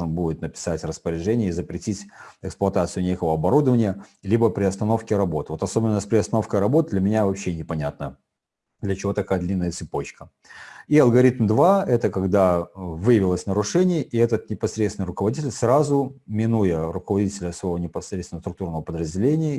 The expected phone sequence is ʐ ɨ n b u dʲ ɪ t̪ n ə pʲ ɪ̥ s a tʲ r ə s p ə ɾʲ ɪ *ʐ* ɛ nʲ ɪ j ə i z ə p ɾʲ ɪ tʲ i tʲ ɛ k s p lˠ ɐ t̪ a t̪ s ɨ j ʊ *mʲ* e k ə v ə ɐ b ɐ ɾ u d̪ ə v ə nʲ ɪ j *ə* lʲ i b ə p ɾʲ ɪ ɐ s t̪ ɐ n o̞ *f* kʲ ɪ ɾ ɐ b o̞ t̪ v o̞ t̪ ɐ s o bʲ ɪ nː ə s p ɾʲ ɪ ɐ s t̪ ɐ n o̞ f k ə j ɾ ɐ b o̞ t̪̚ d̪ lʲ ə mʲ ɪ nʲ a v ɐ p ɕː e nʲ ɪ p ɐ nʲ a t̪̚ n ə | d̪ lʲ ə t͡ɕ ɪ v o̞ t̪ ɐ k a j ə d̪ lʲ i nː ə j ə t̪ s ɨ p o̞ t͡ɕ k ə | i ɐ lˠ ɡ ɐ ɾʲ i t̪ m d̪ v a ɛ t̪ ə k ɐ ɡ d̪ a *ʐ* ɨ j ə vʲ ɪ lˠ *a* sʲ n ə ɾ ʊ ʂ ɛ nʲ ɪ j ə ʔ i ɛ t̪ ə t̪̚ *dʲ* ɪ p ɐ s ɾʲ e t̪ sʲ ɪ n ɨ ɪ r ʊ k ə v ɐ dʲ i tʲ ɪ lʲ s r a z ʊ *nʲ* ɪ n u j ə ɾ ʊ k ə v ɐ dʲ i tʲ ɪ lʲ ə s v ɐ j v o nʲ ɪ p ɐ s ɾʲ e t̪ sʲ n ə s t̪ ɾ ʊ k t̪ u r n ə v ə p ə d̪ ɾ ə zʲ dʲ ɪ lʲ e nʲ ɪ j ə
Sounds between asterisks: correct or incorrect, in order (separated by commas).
correct, incorrect, correct, correct, incorrect, incorrect, incorrect, incorrect